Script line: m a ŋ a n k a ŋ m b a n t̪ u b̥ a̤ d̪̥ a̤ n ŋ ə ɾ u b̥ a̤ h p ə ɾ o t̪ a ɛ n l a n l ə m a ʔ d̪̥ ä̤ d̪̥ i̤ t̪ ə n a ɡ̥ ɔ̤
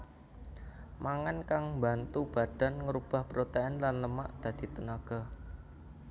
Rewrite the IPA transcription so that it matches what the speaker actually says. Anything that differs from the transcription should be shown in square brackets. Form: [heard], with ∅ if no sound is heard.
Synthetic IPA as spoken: m a ŋ a n k a ŋ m b a n t̪ u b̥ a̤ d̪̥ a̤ n ŋ ə ɾ u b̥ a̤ h p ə ɾ o t̪ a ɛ n l a n l ə m a ʔ d̪̥ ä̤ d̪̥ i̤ t̪ ə n a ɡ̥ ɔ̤